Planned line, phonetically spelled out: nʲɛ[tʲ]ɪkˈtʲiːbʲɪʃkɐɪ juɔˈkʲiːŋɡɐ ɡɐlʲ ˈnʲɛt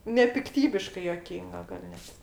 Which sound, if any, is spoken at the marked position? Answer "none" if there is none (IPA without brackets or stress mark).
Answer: pʲ